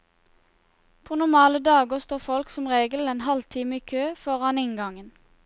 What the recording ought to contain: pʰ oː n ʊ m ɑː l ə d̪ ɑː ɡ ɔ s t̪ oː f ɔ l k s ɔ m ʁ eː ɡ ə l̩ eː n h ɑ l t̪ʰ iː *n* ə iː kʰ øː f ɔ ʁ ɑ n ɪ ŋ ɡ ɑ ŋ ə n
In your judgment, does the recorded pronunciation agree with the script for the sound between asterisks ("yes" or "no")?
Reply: no